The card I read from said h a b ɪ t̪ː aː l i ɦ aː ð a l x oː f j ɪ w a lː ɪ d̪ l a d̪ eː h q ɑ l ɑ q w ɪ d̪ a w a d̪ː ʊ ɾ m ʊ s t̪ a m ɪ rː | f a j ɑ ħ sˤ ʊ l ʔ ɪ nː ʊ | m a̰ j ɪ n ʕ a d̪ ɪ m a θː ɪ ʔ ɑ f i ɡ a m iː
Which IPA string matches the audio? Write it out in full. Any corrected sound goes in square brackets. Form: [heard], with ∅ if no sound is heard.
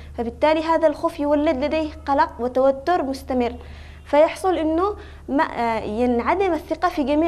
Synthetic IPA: [f] a b ɪ t̪ː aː l i ɦ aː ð a l x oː f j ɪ w a lː ɪ d̪ l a d̪ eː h q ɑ l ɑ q w ɪ [t̪] a w a [t̪ː] ʊ ɾ m ʊ s t̪ a m ɪ rː | f a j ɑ ħ sˤ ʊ l ʔ ɪ nː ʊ | m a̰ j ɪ n ʕ a d̪ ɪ m a θː ɪ [q] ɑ f i ɡ a m iː

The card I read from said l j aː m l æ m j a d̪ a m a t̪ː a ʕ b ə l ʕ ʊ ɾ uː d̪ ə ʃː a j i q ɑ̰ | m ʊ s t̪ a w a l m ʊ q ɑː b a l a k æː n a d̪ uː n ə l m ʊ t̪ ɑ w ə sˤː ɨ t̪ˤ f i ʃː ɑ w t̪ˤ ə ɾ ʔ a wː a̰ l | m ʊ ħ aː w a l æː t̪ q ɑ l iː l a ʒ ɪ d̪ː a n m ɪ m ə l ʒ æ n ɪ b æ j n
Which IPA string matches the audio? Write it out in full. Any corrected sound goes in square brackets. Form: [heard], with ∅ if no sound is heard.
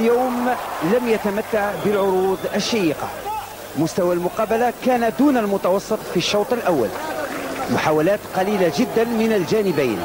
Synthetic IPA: l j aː m l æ m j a [t̪] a m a t̪ː a ʕ b ə l ʕ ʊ ɾ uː d̪ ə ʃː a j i q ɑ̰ | m ʊ s t̪ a w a l m ʊ q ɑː b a l a k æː n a d̪ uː n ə l m ʊ t̪ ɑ w [ɑ] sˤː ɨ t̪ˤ f i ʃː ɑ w t̪ˤ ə [l] ʔ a wː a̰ l | m ʊ ħ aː w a l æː t̪ q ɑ l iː l a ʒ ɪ d̪ː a n m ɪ [n] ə l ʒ æ n ɪ b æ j n

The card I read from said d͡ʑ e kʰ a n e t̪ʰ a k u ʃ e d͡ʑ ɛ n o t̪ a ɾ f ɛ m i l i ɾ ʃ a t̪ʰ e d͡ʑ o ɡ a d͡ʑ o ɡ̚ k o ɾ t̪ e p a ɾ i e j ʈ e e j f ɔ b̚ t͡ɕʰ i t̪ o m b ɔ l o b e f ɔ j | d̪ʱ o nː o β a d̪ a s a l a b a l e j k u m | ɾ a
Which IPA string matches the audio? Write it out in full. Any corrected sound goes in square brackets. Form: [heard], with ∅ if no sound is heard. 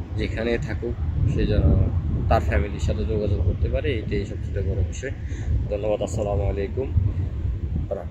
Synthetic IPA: d͡ʑ e kʰ a n e t̪ʰ a k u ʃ e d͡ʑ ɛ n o t̪ a ɾ f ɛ m i l i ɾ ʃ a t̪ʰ e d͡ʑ o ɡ a d͡ʑ o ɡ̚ k o ɾ t̪ e p a ɾ [e] e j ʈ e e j [ʃ] ɔ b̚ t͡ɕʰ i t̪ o [∅] b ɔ [ɾ] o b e [ʃ] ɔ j | d̪ʱ o nː o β a d̪ a s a l a [m] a l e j k u m | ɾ a

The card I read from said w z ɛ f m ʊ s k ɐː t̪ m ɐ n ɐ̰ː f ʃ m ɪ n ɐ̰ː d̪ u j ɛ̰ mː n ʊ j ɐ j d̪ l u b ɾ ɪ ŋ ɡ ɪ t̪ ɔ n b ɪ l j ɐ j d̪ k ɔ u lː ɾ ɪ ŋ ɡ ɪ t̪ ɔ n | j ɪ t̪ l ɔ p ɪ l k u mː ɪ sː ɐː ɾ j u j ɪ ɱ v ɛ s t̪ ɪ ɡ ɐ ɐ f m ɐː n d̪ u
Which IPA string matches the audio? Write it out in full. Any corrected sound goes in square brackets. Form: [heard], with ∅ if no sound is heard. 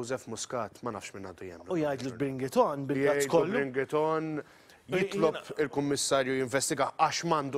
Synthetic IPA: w z ɛ f m ʊ s k ɐː t̪ m ɐ n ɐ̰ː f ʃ m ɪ n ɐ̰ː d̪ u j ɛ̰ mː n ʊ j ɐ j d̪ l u b ɾ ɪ ŋ ɡ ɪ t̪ ɔ n b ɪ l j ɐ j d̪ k ɔ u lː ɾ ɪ ŋ ɡ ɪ t̪ ɔ n | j ɪ t̪ l ɔ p ɪ l k [ʊ] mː ɪ sː ɐː ɾ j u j ɪ ɱ v ɛ s t̪ ɪ ɡ ɐ ɐ [ʃ] m ɐː n d̪ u

